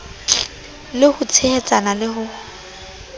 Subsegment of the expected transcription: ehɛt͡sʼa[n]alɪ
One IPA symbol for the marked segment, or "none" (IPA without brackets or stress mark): n